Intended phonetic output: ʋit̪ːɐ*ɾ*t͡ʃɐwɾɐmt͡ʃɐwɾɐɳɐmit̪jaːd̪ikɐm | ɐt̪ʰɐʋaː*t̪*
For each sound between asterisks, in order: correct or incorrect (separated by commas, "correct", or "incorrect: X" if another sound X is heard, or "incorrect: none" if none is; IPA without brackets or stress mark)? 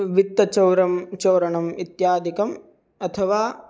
incorrect: none, incorrect: none